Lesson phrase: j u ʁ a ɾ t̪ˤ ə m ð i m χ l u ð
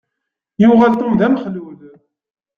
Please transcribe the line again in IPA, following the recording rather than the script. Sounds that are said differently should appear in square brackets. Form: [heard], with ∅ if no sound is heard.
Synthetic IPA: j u ʁ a [l] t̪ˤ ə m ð [æ] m χ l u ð